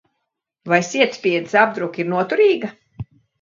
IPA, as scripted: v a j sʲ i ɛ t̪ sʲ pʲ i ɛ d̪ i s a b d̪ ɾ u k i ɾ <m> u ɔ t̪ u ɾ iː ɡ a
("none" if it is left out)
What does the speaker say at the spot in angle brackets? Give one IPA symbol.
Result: n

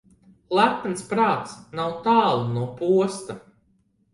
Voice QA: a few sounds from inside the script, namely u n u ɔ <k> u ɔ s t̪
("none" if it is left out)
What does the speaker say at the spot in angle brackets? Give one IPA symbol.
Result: p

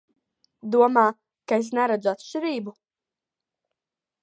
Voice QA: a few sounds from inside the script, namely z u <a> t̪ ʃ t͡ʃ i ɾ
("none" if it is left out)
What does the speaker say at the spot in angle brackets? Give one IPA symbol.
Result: a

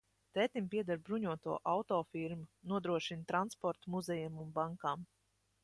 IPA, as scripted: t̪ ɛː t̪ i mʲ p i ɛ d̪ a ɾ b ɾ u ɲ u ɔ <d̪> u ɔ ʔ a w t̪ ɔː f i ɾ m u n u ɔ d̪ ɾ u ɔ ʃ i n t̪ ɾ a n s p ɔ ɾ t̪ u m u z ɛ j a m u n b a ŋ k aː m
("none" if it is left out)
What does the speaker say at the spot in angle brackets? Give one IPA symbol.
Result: t̪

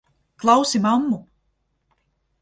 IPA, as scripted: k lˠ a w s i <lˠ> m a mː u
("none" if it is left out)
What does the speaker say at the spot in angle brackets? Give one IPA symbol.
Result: none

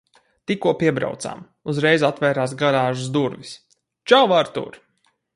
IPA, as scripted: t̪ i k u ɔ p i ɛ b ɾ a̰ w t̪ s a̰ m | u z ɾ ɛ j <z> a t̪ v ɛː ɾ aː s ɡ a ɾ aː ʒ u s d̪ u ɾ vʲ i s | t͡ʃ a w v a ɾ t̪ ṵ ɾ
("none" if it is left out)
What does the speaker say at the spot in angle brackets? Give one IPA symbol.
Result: z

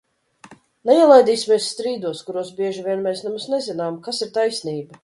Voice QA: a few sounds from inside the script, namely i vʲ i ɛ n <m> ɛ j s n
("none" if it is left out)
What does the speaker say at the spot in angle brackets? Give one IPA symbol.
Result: m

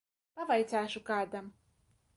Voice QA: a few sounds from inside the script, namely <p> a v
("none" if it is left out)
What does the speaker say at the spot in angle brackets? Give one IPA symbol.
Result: p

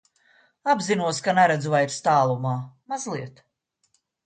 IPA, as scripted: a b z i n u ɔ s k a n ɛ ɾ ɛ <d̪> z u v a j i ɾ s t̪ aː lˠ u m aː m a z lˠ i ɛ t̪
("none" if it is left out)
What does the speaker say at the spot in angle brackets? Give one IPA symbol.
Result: d̪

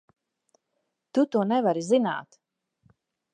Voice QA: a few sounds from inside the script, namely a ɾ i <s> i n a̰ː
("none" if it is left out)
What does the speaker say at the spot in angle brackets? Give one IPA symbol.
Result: z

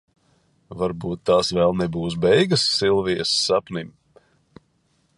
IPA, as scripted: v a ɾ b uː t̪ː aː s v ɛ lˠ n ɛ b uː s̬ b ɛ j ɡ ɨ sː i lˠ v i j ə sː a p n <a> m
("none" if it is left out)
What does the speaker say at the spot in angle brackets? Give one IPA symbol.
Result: i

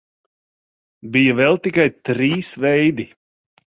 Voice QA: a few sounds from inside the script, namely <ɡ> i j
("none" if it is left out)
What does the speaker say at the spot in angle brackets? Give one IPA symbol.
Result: b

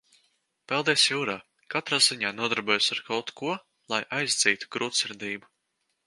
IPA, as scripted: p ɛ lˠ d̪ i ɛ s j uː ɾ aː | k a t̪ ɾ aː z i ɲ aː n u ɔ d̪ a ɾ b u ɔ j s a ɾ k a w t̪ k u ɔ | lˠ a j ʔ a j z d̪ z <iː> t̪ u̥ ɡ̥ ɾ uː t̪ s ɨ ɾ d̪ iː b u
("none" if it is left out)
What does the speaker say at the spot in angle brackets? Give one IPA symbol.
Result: iː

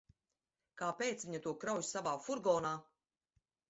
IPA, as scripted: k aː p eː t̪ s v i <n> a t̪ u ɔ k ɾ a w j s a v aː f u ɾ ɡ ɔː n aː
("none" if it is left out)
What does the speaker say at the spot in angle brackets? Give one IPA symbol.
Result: ɲ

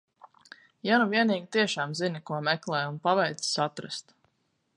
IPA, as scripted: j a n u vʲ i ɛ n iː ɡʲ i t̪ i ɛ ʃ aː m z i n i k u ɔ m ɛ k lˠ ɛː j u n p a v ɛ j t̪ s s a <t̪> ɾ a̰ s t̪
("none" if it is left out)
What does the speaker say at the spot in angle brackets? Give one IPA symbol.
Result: t̪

